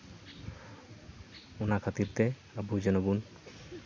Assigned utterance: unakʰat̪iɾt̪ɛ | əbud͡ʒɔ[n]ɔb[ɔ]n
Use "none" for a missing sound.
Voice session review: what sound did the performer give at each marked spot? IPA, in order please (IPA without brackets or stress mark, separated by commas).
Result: n, u